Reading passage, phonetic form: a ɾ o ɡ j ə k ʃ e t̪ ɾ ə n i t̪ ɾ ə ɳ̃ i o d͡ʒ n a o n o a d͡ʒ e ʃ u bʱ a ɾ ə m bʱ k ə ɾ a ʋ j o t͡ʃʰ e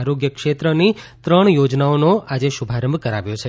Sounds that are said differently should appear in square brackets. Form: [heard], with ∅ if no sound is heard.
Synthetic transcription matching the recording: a ɾ o ɡ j ə k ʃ e t̪ ɾ ə n i t̪ ɾ ə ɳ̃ [j] o d͡ʒ n a o n o a d͡ʒ e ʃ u bʱ a ɾ ə m bʱ k ə ɾ a ʋ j o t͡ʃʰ e